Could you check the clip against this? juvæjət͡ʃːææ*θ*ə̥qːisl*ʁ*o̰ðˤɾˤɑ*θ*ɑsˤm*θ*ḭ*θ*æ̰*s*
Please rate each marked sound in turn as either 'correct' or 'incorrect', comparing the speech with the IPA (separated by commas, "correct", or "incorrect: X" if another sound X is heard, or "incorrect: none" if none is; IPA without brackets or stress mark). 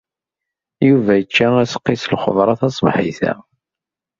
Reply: incorrect: s, incorrect: χ, correct, incorrect: ħ, correct, incorrect: none